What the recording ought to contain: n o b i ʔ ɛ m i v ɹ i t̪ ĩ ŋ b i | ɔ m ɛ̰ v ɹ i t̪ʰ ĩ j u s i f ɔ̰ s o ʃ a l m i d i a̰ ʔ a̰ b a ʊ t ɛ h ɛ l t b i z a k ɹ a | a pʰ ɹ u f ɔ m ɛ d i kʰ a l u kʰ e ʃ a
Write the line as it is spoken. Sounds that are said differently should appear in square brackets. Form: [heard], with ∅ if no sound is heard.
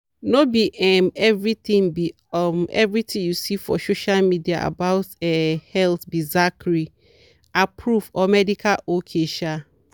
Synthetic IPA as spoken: n o b i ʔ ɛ m [ɛ] v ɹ i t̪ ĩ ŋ b i | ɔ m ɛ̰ v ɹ i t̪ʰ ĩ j u s i f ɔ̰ s o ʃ a l m i d i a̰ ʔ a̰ b a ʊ t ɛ h ɛ l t b i z a k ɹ [i] | a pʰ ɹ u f ɔ m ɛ d i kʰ a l [o] kʰ e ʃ a

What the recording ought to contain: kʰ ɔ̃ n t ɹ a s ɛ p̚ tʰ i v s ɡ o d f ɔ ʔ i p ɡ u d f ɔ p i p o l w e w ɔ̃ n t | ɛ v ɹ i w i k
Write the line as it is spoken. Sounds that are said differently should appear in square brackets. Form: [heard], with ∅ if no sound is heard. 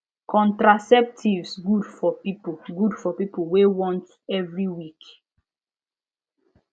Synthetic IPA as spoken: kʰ ɔ̃ n t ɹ a s ɛ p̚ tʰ i v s ɡ [u] d f ɔ [p] i p ɡ u d f ɔ p i p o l w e w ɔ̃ n t | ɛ v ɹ i w i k

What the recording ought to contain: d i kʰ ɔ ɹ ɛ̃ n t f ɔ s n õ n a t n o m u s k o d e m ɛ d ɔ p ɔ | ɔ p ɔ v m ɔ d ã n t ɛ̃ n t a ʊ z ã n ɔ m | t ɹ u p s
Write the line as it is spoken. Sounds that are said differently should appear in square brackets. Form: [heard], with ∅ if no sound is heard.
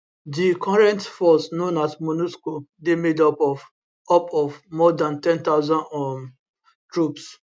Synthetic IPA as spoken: d i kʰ ɔ ɹ ɛ̃ n t f ɔ s n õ n a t [m] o [n] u s k o d e m [e] d ɔ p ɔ | ɔ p ɔ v m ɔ d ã n t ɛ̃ n t a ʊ z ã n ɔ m | t ɹ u p s

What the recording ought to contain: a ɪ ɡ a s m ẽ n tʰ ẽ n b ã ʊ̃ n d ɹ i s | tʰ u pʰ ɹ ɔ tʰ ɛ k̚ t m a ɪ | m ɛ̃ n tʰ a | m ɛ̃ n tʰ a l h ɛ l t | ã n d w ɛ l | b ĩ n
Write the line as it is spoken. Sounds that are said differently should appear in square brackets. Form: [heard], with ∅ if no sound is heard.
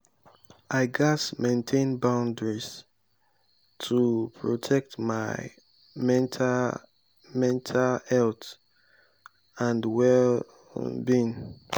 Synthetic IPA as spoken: a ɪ ɡ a s m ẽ n tʰ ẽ n b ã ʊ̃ n d ɹ i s | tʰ u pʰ ɹ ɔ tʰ ɛ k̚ t m a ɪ | m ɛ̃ n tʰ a | m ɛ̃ n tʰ a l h ɛ l t | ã n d w ɛ l | b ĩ n

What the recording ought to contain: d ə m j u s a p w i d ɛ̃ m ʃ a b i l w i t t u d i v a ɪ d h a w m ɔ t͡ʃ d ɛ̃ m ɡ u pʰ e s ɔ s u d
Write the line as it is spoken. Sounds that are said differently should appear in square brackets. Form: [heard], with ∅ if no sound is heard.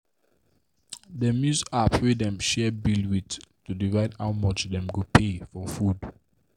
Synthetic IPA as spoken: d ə m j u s a p w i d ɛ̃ m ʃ [ɛ] b i l w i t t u d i v a ɪ d h a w m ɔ t͡ʃ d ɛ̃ m ɡ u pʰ e [f] ɔ [f] u d

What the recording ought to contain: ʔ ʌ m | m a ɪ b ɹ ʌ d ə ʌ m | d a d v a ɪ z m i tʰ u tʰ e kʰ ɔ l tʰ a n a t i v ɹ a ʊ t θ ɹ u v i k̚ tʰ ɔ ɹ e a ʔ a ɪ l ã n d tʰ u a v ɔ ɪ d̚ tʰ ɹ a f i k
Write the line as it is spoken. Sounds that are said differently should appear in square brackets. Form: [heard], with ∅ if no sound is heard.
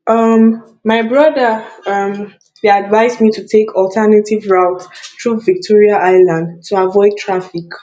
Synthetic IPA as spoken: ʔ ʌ m | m a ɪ b ɹ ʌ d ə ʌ m | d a d v a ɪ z m i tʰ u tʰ e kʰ ɔ l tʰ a n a t i v ɹ a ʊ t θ ɹ u v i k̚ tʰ ɔ ɹ [i] a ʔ a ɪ l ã n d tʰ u a v ɔ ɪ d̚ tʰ ɹ a f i k

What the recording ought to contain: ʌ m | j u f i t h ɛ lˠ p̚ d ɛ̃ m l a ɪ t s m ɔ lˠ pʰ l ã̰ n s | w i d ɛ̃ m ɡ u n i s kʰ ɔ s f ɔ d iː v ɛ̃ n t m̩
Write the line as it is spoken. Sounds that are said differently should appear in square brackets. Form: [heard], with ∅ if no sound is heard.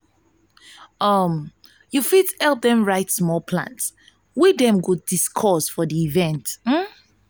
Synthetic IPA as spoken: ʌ m | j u f i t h ɛ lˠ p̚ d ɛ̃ m [ɹ] a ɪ t s m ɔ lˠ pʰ l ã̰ n s | w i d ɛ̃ m ɡ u [d] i s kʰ ɔ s f ɔ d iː v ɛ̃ n t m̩

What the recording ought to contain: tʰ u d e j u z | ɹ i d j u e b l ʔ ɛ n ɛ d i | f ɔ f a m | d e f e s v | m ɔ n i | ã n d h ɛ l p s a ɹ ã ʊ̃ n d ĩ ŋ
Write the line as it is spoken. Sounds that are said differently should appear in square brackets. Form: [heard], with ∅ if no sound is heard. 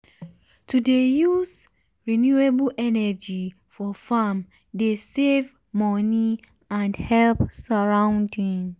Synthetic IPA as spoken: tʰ u d e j u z | ɹ i [n] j u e b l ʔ ɛ n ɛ [d͡ʒ] i | f ɔ f a m | d e [s] e [∅] v | m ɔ n i | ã n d h ɛ l p s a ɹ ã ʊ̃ n d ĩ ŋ

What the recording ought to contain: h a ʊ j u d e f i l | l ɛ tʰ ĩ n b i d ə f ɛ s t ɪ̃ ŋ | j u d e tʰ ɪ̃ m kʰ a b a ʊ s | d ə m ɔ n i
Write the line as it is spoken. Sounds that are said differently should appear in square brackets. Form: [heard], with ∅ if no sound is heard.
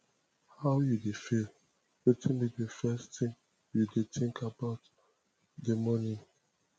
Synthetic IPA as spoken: h a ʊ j u d e f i l | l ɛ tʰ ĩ n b i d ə f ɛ s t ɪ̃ ŋ | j u d e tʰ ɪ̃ [ŋ] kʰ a b a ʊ [t] | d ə m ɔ n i

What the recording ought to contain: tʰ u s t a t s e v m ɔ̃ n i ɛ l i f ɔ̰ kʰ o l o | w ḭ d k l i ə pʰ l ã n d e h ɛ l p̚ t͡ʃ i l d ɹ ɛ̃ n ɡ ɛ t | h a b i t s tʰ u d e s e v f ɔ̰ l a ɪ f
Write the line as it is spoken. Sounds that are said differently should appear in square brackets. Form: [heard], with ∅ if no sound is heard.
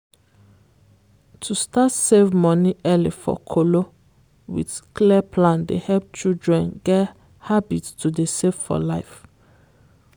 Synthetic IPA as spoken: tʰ u s t a t s e v m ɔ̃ n i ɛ l i f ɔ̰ kʰ o l o | w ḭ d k l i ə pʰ l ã n d e h ɛ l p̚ t͡ʃ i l d ɹ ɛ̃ n ɡ ɛ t | h a b i t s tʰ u d e s e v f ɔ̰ l a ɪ f

